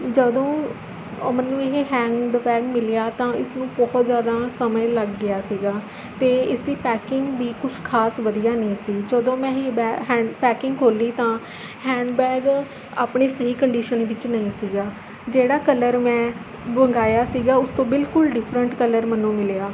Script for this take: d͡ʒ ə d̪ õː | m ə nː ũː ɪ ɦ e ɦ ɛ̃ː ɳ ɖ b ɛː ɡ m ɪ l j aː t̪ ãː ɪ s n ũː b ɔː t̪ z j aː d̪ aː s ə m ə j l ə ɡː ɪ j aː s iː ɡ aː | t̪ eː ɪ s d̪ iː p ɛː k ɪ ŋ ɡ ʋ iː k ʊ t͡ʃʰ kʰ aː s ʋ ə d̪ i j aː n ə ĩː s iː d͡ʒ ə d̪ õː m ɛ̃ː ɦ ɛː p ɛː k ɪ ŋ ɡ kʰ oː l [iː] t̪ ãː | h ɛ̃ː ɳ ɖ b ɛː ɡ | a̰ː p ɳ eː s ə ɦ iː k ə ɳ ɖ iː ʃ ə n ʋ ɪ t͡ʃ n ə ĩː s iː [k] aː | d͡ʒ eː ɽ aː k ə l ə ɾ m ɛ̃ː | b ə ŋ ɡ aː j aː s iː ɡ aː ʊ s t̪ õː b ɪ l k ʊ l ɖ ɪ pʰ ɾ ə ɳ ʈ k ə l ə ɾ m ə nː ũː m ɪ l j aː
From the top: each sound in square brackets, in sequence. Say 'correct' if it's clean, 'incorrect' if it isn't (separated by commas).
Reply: correct, incorrect